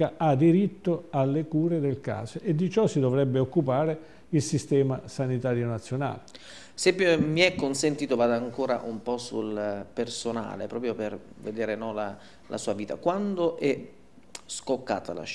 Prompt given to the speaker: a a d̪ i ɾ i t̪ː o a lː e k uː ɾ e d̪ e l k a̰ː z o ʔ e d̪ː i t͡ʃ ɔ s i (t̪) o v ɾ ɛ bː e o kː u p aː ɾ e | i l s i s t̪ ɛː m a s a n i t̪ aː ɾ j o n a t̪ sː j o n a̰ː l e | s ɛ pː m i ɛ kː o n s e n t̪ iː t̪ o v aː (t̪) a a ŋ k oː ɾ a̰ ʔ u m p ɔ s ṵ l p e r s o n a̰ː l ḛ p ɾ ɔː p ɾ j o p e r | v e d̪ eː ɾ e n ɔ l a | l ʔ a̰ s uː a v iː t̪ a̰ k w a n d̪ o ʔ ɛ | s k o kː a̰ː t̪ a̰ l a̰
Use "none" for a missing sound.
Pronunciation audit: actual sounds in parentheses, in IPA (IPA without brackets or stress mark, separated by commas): d̪, d̪